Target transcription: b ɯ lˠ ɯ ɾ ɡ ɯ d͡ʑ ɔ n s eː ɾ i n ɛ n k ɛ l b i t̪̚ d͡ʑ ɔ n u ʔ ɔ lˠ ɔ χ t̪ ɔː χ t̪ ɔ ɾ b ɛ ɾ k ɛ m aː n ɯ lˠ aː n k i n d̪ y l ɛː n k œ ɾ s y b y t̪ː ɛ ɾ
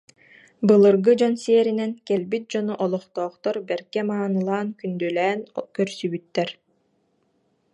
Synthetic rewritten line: b ɯ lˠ ɯ ɾ ɡ ɯ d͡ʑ ɔ n s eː ɾ i n ɛ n k ɛ l b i t̪̚ d͡ʑ ɔ n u ʔ ɔ lˠ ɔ χ t̪ ɔː χ t̪ ɔ ɾ b ɛ ɾ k ɛ m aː n ɯ lˠ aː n k y n d̪ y l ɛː n k œ ɾ s y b y t̪ː ɛ ɾ